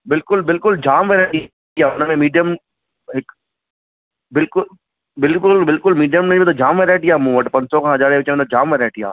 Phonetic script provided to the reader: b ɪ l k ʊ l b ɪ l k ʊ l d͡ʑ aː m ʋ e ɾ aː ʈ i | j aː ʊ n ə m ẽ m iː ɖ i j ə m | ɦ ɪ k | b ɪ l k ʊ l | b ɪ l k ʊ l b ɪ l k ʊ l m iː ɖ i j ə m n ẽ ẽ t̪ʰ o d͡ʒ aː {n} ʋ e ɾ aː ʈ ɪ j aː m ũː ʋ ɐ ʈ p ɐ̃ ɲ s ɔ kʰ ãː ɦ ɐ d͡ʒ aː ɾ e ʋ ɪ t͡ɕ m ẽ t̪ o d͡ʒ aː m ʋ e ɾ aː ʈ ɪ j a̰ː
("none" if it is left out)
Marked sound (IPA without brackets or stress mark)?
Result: m